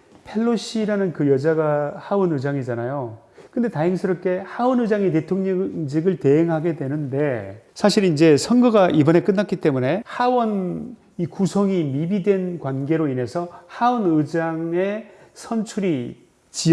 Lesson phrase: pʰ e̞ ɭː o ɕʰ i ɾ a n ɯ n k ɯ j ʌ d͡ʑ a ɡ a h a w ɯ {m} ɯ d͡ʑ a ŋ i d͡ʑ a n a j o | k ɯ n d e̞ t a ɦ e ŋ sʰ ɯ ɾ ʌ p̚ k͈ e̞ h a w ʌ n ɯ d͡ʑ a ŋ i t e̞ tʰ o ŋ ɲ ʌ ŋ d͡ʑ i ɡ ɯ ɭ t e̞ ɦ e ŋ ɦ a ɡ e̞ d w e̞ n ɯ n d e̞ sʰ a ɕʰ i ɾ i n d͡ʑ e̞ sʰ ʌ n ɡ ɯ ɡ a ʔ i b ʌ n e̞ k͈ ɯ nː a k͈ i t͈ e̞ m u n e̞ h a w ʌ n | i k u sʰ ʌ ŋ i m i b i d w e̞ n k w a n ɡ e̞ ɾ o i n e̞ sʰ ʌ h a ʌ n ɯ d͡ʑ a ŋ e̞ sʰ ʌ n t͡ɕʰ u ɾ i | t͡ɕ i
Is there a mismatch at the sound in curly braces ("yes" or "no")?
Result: yes